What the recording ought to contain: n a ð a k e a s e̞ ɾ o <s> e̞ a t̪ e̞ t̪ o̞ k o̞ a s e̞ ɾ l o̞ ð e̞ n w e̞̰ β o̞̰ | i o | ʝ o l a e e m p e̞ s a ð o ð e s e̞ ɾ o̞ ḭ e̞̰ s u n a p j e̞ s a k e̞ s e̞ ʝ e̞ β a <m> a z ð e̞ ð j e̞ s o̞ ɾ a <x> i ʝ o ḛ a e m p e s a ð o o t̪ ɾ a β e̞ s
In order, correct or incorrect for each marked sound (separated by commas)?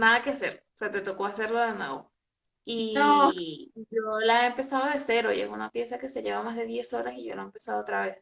correct, correct, incorrect